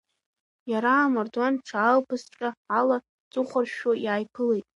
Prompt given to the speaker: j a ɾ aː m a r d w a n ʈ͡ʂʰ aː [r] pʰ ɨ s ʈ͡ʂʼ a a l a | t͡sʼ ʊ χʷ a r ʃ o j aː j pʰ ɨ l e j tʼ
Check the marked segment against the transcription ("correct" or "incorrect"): incorrect